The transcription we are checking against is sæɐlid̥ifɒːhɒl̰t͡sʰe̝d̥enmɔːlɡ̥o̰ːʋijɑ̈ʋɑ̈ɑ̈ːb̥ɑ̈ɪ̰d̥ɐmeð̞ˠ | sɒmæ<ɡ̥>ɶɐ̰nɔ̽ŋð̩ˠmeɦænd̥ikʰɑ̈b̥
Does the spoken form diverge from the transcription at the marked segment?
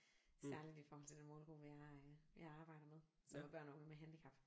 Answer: yes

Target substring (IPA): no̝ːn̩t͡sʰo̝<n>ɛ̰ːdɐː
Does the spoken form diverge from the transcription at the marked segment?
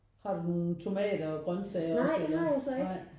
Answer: yes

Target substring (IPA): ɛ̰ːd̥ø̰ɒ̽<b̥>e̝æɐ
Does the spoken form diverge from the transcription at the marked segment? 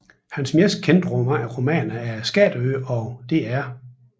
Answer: yes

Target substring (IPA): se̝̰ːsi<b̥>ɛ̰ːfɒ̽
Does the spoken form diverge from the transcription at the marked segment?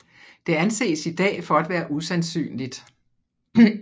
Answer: yes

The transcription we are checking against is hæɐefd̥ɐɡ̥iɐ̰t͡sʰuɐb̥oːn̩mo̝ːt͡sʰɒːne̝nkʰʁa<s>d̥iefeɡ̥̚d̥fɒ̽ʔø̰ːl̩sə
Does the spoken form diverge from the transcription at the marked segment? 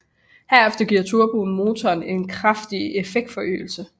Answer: yes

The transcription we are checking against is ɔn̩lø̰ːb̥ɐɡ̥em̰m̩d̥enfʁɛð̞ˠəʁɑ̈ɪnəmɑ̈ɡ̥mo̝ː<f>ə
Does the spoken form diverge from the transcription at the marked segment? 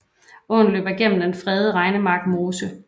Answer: yes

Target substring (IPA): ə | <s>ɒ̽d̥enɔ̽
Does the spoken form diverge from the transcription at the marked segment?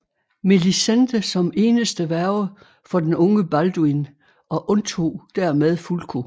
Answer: yes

